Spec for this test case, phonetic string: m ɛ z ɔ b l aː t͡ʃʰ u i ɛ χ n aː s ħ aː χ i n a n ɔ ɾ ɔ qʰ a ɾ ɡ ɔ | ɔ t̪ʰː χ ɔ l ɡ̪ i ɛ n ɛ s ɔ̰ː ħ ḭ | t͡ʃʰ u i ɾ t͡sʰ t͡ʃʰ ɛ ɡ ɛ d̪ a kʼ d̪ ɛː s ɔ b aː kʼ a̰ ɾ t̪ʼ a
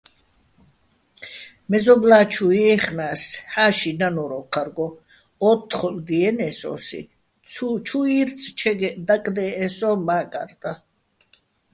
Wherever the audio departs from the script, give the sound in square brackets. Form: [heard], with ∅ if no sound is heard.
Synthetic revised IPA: m ɛ z ɔ b l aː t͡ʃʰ u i ɛ χ n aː s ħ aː [ʃ] i n a n ɔ ɾ ɔ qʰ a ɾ ɡ ɔ | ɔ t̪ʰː χ ɔ l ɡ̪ i ɛ n ɛ s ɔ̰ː [s] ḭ | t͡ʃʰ u i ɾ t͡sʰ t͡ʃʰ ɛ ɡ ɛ d̪ a kʼ d̪ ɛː s ɔ [m] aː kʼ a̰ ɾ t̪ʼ a